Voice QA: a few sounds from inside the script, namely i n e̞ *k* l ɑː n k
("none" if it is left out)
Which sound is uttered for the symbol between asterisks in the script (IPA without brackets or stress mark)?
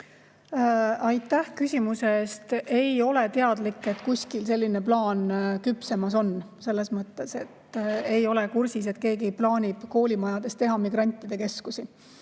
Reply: p